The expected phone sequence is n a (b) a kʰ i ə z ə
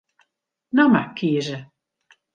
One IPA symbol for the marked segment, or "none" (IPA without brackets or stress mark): m